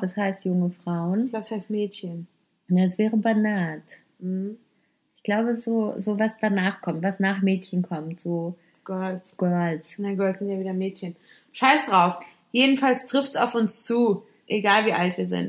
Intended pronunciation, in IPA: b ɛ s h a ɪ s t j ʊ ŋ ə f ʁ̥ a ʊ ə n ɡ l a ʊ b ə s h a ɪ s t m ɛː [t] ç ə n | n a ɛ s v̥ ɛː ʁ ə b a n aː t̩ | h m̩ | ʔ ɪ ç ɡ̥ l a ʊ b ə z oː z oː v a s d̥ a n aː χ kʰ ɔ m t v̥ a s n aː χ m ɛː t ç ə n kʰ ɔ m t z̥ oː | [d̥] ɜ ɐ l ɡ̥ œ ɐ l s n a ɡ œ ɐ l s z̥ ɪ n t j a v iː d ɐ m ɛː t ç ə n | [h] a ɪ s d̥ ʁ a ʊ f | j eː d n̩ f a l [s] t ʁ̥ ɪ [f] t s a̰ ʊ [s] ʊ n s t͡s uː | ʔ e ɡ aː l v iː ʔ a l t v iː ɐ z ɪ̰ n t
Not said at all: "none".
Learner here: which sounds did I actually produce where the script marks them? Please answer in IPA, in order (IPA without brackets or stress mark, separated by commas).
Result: t, ɡ̥, ʃ, s, f, f